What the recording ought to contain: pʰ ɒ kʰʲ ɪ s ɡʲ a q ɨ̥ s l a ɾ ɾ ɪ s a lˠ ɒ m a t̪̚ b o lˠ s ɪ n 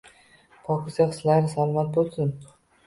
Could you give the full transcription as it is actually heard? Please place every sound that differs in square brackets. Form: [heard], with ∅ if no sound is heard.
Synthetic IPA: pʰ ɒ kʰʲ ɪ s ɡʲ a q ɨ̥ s l a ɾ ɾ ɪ s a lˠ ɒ m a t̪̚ b o lˠ s ɪ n